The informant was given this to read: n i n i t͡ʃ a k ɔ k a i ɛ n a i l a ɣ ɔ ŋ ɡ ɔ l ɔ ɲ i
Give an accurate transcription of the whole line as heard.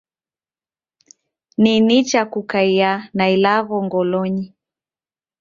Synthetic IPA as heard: n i n i t͡ʃ a k u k a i a n a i l a ɣ ɔ ŋ ɡ ɔ l ɔ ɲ i